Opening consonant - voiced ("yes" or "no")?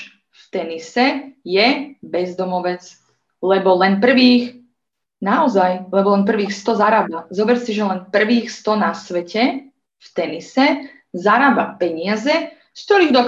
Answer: no